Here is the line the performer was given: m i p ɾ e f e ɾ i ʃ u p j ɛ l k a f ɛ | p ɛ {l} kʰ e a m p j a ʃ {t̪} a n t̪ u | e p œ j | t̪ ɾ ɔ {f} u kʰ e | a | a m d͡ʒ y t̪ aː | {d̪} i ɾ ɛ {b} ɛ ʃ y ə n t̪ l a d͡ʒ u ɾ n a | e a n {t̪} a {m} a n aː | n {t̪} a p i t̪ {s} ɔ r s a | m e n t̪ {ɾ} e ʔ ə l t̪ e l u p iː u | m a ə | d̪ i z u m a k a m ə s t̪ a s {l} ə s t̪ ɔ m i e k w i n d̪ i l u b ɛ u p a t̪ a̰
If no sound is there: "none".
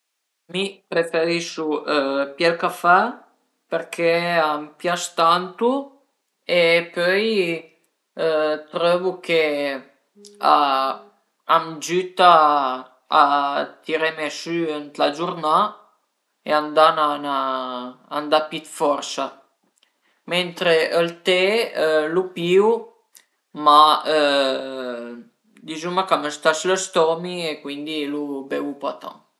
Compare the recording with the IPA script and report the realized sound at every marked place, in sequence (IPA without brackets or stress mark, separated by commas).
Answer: ɾ, t̪, v, t̪, m, d̪, n, d̪, f, ɾ, l